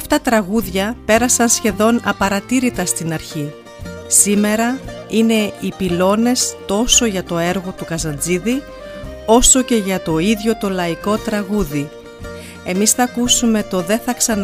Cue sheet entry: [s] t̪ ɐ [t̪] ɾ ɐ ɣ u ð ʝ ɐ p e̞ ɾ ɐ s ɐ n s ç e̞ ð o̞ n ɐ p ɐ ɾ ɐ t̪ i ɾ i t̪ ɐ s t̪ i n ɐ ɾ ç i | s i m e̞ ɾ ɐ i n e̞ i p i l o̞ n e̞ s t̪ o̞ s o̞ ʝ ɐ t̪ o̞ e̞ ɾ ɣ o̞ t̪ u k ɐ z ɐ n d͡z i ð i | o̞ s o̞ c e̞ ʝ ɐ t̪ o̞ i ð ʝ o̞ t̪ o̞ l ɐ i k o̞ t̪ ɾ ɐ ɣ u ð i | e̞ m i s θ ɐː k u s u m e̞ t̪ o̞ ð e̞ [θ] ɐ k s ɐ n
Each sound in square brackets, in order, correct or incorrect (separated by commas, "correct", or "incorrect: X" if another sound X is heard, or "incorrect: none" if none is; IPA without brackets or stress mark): incorrect: f, correct, correct